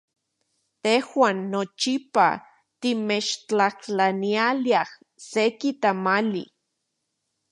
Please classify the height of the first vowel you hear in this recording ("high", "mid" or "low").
mid